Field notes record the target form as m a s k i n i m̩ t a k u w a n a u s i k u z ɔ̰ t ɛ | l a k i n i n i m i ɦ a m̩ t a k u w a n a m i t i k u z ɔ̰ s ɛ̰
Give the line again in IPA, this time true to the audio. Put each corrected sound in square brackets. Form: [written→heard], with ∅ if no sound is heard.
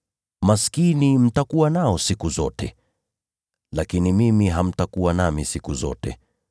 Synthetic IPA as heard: m a s k i n i m̩ t a k u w a n a [u→ɔ] s i k u z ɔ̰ t ɛ | l a k i n i [n→m] i m i ɦ a m̩ t a k u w a n a m i [t→s] i k u z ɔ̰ [s→t] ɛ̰

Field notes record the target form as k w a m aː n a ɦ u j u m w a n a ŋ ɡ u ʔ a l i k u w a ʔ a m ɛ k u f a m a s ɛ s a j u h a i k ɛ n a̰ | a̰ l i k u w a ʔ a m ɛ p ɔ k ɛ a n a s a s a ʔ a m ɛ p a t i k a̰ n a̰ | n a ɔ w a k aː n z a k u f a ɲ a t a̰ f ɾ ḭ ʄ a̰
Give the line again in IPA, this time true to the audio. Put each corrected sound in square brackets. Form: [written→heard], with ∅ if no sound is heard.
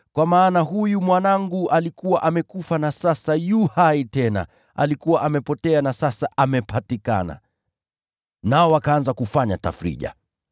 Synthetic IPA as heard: k w a m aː n a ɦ u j u m w a n a ŋ ɡ u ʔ a l i k u w a ʔ a m ɛ k u f a [m→n] a s [ɛ→a] s a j u h a i [k→t] ɛ n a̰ | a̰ l i k u w a ʔ a m ɛ p ɔ [k→t] ɛ a n a s a s a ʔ a m ɛ p a t i k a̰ n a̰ | n a ɔ w a k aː n z a k u f a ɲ a t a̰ f ɾ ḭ ʄ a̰

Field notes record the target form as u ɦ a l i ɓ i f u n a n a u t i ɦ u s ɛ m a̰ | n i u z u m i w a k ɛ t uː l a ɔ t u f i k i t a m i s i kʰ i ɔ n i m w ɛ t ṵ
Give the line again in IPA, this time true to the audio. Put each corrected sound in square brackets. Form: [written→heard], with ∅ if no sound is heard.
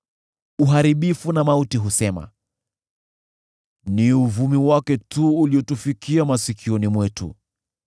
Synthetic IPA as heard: u ɦ a [l→ɾ] i ɓ i f u n a [n→m] a u t i ɦ u s ɛ m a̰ | n i u [z→v] u m i w a k ɛ t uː l [a→i] ɔ t u f i k i [t→∅] a m [i→a] s i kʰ i ɔ n i m w ɛ t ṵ

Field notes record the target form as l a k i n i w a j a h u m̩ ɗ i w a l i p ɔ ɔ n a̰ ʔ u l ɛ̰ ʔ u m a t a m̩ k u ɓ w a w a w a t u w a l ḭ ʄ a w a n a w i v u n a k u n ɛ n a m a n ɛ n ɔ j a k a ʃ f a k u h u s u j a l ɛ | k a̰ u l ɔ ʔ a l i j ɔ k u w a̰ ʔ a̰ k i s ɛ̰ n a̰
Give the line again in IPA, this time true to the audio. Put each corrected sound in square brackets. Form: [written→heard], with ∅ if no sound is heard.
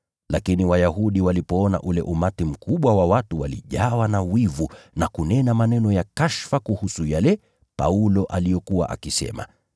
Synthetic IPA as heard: l a k i n i w a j a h u [m̩→∅] ɗ i w a l i p ɔ ɔ n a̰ ʔ u l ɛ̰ ʔ u m a t [a→i] m̩ k u ɓ w a w a w a t u w a l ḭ ʄ a w a n a w i v u n a k u n ɛ n a m a n ɛ n ɔ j a k a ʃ f a k u h u s u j a l ɛ | [k→p] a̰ u l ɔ ʔ a l i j ɔ k u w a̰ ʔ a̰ k i s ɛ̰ [n→m] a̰

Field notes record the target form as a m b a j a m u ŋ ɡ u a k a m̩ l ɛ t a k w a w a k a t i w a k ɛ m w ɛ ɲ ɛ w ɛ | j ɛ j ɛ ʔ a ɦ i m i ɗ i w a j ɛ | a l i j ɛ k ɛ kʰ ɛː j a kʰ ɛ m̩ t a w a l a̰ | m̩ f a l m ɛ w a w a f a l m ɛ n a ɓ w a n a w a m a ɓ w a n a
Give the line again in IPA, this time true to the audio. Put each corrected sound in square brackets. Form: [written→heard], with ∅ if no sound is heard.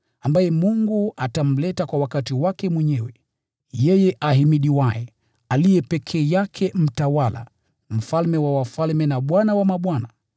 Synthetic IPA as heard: a m b a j [a→ɛ] m u ŋ ɡ u a [k→t] a m̩ l ɛ t a k w a w a k a t i w a k ɛ m w ɛ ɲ ɛ w ɛ | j ɛ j ɛ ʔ a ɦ i m i ɗ i w a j ɛ | a l i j ɛ [k→p] ɛ kʰ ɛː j a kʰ ɛ m̩ t a w a l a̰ | m̩ f a l m ɛ w a w a f a l m ɛ n a ɓ w a n a w a m a ɓ w a n a

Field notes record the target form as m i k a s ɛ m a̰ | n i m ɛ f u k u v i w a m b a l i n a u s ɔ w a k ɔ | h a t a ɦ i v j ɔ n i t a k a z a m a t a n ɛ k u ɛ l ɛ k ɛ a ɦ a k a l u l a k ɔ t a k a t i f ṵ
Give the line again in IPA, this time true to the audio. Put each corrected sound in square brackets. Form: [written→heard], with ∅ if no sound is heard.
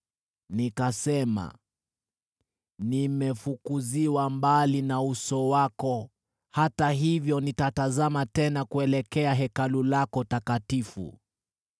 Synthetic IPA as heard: [m→n] i k a s ɛ m a̰ | n i m ɛ f u k u [v→z] i w a m b a l i n a u s ɔ w a k ɔ | h a t a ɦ i v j ɔ n i t a [k→t] a z a m a t [a→ɛ] n [ɛ→a] k u ɛ l ɛ k ɛ a ɦ [a→ɛ] k a l u l a k ɔ t a k a t i f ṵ

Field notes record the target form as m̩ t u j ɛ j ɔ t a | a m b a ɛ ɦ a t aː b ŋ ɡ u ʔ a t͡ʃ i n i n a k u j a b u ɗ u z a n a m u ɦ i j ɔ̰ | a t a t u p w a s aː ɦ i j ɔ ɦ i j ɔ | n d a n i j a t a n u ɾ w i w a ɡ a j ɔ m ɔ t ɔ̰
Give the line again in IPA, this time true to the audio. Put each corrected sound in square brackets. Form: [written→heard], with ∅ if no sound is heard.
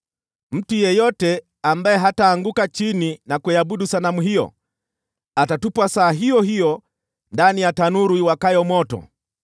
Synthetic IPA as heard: m̩ t u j ɛ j ɔ t [a→ɛ] | a m b a ɛ ɦ a t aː [b→∅] ŋ ɡ u [ʔ→k] a t͡ʃ i n i n a k u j a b u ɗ u [z→s] a n a m u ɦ i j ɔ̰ | a t a t u p w a s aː ɦ i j ɔ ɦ i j ɔ | n d a n i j a t a n u ɾ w i w a [ɡ→k] a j ɔ m ɔ t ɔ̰

